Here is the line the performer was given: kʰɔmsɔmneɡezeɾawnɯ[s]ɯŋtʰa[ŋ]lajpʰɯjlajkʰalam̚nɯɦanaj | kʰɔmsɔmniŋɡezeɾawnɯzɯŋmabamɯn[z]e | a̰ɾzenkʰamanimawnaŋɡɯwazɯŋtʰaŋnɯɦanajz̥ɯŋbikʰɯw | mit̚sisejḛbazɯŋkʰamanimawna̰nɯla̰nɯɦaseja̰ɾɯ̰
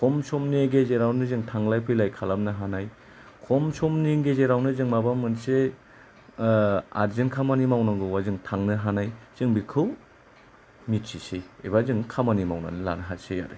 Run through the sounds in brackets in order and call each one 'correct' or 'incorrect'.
incorrect: z, correct, incorrect: s

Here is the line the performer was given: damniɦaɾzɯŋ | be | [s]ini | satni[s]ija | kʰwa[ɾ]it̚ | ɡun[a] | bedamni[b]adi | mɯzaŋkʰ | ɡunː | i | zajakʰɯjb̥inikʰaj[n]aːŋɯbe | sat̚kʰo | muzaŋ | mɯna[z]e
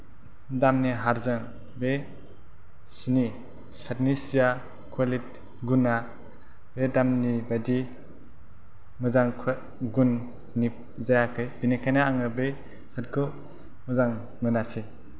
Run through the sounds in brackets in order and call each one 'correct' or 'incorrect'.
correct, correct, incorrect: l, correct, correct, correct, incorrect: s

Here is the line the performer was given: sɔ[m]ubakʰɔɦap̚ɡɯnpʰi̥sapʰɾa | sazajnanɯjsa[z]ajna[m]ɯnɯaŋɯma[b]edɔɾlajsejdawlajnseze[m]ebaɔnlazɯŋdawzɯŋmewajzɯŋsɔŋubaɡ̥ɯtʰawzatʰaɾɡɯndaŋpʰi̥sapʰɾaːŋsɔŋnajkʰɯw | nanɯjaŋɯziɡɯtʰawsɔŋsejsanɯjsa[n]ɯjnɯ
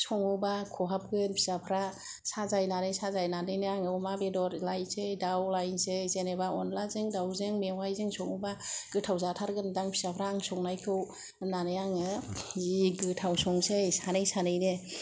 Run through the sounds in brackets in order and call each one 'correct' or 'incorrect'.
incorrect: ŋ, correct, incorrect: n, correct, incorrect: n, correct

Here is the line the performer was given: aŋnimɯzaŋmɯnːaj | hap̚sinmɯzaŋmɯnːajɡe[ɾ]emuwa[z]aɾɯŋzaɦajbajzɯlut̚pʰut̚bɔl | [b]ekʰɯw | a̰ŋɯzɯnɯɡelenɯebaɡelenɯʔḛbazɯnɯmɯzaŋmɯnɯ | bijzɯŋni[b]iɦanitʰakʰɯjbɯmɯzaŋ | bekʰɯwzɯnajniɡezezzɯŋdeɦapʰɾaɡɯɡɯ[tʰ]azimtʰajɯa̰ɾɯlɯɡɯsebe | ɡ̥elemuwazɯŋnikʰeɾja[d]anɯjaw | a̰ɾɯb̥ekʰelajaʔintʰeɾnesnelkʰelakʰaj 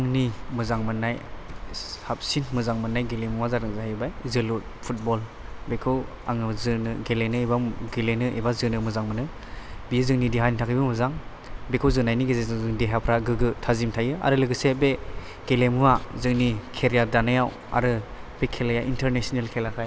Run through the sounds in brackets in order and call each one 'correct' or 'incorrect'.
incorrect: l, correct, correct, incorrect: d, correct, correct

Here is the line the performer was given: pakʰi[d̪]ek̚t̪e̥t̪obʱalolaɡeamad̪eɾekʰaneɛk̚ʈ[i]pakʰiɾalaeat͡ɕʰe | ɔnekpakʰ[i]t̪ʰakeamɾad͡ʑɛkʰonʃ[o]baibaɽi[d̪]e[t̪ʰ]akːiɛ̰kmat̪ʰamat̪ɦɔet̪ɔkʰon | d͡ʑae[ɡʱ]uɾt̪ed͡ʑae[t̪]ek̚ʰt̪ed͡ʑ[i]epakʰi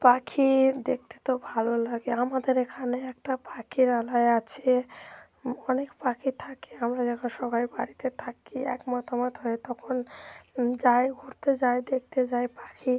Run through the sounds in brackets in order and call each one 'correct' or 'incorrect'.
correct, incorrect: a, correct, incorrect: ɔ, incorrect: t̪, correct, correct, incorrect: d̪, incorrect: a

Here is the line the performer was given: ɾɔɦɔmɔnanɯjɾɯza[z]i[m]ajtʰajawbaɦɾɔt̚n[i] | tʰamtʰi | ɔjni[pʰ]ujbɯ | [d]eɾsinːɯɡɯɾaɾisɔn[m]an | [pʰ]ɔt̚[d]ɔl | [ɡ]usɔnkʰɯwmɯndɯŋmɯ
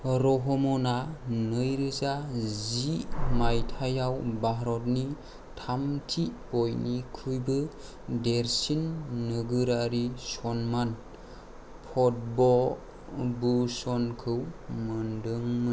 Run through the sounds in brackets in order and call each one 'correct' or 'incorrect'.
correct, correct, correct, incorrect: kʰ, correct, correct, correct, incorrect: b, incorrect: b

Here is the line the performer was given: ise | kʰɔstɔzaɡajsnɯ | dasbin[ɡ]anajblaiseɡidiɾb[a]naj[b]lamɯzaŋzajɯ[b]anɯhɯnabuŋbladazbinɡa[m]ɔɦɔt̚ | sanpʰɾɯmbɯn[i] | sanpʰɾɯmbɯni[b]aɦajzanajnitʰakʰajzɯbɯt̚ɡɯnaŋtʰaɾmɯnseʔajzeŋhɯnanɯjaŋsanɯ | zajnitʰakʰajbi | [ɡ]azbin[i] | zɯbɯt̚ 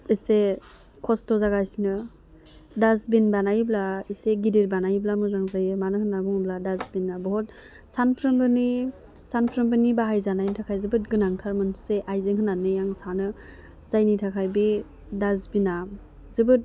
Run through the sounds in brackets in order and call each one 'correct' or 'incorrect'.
incorrect: b, correct, correct, incorrect: m, incorrect: b, correct, correct, incorrect: d, incorrect: a

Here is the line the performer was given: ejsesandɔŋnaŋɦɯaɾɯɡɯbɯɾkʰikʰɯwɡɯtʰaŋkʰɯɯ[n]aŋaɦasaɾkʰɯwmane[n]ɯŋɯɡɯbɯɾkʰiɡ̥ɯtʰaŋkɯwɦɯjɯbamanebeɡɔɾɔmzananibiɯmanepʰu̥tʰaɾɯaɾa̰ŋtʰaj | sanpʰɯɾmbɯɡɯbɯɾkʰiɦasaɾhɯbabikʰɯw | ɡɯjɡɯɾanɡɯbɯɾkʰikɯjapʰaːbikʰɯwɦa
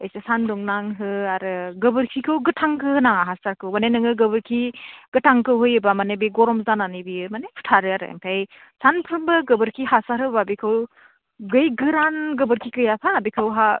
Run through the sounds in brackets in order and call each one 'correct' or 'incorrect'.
correct, correct

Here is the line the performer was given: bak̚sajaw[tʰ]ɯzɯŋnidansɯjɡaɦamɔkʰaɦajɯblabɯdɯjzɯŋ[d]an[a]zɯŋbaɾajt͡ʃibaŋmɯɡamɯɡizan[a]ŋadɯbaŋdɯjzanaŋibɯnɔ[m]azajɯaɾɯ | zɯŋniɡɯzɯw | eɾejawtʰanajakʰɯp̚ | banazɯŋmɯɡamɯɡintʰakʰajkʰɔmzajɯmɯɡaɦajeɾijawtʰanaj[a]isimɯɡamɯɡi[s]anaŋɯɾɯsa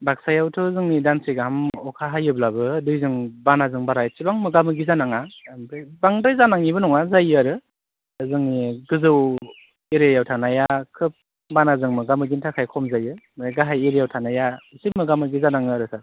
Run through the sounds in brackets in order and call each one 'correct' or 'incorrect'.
correct, incorrect: b, correct, correct, incorrect: ŋ, correct, incorrect: z

